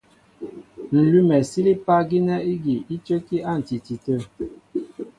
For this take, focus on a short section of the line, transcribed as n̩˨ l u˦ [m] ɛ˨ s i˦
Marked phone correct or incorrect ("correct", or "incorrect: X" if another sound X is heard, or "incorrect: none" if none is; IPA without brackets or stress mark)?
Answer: correct